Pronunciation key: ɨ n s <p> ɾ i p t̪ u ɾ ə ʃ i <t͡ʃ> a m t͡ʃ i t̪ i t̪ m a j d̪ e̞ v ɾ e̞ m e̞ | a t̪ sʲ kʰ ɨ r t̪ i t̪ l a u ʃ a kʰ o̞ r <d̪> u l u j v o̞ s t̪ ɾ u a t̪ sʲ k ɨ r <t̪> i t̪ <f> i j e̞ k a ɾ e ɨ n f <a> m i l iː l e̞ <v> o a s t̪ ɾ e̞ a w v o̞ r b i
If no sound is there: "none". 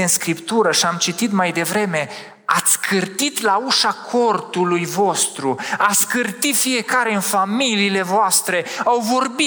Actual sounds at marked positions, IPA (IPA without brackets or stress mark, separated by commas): k, none, t̪, t̪, f, a, v